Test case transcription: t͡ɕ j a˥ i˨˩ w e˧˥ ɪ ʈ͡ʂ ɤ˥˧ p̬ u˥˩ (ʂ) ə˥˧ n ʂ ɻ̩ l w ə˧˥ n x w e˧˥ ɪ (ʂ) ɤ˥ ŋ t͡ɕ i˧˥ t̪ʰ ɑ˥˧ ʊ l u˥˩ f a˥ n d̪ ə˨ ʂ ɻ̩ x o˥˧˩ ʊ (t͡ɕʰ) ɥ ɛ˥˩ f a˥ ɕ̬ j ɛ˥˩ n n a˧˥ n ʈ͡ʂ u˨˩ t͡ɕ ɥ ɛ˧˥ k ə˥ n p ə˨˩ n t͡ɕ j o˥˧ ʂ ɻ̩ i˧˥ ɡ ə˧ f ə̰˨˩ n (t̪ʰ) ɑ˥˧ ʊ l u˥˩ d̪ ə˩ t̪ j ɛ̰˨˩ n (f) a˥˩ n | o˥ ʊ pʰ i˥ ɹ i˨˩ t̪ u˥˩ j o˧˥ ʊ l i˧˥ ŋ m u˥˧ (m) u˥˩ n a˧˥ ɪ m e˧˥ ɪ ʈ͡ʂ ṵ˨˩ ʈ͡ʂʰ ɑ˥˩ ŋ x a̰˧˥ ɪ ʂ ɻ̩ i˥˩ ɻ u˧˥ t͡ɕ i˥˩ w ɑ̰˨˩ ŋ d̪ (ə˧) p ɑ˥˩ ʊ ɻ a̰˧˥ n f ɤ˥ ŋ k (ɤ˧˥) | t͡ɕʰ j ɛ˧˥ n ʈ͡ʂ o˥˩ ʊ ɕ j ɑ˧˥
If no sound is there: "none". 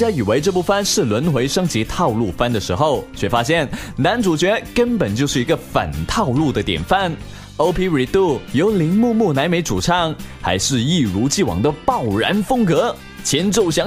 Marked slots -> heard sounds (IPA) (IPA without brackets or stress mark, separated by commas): f, ʂ, t͡ɕʰ, t̪ʰ, f, m, ə˧, ɤ˧˥